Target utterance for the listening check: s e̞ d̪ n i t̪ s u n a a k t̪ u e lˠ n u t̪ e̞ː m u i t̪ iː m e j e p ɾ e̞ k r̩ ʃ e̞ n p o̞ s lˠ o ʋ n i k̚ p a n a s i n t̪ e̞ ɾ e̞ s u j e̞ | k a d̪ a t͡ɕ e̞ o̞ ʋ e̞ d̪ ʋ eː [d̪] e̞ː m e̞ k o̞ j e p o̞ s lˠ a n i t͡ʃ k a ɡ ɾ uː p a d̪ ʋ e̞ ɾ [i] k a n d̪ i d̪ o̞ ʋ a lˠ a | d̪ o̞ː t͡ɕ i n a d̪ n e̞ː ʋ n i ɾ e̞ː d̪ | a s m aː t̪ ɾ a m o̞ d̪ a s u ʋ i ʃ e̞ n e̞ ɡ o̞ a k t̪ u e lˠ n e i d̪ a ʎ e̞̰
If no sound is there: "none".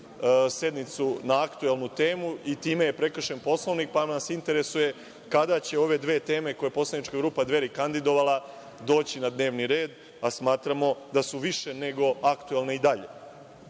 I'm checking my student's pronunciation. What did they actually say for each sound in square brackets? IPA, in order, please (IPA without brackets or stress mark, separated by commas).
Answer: t̪, i